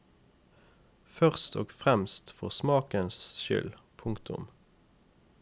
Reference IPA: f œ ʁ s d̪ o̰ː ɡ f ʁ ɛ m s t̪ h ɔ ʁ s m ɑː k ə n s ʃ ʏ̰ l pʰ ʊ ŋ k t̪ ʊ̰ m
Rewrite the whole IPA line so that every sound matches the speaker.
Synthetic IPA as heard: f œ ʁ s t̪ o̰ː ɡ f ʁ ɛ m s t̪ f ɔ ʁ s m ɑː k ə n s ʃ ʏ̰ l pʰ ʊ ŋ k t̪ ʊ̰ m